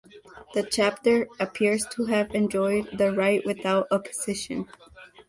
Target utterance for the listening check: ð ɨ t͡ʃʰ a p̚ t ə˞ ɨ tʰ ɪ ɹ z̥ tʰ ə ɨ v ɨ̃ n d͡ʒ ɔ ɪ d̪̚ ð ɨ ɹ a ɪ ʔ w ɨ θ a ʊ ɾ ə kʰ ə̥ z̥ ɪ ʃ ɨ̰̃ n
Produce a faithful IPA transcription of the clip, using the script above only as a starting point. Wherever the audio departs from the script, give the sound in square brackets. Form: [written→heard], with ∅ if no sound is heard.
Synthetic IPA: ð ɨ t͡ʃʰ [a→æ] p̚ t ə˞ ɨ [tʰ→pʰ] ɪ ɹ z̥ tʰ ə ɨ v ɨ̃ n d͡ʒ ɔ ɪ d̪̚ ð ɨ ɹ a ɪ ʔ w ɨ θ a ʊ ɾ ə [kʰ→pʰ] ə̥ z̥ ɪ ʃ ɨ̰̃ n